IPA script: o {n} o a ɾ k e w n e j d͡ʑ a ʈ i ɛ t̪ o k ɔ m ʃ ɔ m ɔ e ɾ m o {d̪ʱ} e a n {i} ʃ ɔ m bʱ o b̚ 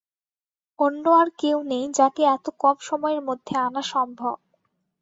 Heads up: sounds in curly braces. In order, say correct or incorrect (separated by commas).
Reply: incorrect, incorrect, incorrect